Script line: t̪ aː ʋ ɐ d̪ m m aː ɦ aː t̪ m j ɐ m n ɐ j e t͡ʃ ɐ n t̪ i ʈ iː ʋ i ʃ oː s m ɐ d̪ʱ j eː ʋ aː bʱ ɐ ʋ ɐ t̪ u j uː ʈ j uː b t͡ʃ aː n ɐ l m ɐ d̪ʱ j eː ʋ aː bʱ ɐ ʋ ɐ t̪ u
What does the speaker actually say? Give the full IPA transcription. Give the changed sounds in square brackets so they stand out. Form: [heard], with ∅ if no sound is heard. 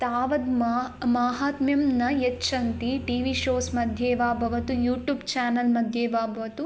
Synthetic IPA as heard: t̪ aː ʋ ɐ d̪ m m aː ɦ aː t̪ m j ɐ m n ɐ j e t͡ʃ ɐ n t̪ i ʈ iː ʋ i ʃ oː s m ɐ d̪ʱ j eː ʋ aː bʱ ɐ ʋ ɐ t̪ u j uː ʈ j uː b t͡ʃ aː n ɐ l m ɐ d̪ʱ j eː ʋ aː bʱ ɐ ʋ ɐ t̪ u

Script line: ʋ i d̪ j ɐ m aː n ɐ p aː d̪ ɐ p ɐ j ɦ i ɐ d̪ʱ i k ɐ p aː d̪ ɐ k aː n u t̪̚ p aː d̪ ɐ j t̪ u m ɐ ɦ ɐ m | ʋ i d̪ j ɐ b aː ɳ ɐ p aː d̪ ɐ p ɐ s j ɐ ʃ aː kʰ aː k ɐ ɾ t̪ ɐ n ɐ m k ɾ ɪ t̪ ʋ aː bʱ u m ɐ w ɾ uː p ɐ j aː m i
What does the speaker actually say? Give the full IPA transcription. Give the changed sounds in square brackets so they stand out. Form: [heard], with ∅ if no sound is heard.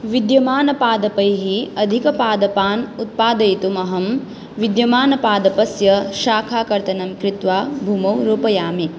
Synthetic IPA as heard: ʋ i d̪ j ɐ m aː n ɐ p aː d̪ ɐ p ɐ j ɦ i ɐ d̪ʱ i k ɐ p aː d̪ ɐ [p] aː n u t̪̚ p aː d̪ ɐ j t̪ u m ɐ ɦ ɐ m | ʋ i d̪ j ɐ [m] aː [n] ɐ p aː d̪ ɐ p ɐ s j ɐ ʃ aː kʰ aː k ɐ ɾ t̪ ɐ n ɐ m k ɾ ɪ t̪ ʋ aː bʱ u m ɐ w ɾ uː p ɐ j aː m i

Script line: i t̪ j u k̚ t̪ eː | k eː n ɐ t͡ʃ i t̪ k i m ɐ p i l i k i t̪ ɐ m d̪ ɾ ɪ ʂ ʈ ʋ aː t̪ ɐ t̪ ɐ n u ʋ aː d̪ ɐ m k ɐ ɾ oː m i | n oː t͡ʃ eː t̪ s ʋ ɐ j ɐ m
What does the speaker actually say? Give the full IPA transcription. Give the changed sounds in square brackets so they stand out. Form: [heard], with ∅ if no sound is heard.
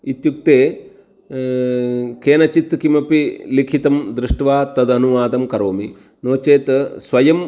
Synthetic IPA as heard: i t̪ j u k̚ t̪ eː | k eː n ɐ t͡ʃ i t̪ k i m ɐ p i l i [kʰ] i t̪ ɐ m d̪ ɾ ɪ ʂ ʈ ʋ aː t̪ ɐ [d̪] ɐ n u ʋ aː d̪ ɐ m k ɐ ɾ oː m i | n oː t͡ʃ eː t̪ s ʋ ɐ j ɐ m

